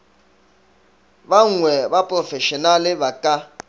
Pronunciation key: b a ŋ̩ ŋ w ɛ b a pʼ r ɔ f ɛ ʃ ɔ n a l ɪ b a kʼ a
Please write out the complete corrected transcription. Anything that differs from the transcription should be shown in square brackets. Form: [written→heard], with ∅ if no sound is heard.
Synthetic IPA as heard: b a ŋ̩ ŋ w ɛ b a pʼ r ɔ f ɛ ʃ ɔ n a l ɪ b a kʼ a